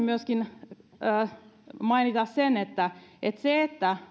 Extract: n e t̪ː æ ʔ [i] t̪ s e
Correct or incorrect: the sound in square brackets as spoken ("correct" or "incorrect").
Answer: incorrect